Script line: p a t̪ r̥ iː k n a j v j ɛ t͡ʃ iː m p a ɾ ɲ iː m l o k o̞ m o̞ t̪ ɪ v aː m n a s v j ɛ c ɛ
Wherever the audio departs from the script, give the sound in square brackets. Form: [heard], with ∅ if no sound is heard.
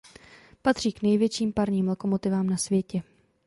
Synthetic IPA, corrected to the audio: p a t̪ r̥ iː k n [ɛ] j v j ɛ t͡ʃ iː m p a ɾ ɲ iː m l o k o̞ m o̞ t̪ ɪ v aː m n a s v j ɛ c ɛ